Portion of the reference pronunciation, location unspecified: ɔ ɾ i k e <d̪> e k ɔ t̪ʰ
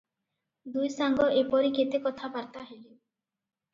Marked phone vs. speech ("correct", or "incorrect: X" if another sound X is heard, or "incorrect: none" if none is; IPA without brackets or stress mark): incorrect: t̪